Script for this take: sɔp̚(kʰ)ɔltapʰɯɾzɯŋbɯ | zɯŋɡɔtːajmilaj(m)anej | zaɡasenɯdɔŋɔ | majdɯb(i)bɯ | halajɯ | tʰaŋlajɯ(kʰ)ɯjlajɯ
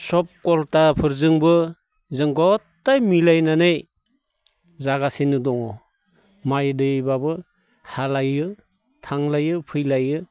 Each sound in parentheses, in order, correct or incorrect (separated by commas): incorrect, incorrect, incorrect, incorrect